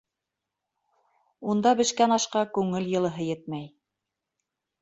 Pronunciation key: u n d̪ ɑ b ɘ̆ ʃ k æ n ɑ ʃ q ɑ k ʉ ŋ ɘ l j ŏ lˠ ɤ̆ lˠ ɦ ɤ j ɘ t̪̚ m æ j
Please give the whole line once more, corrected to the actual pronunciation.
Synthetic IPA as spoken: u n d̪ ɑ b ɘ̆ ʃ k æ n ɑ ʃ q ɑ k ʉ ŋ ɘ l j ɤ̆ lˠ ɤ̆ ɦ ɤ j ɘ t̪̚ m æ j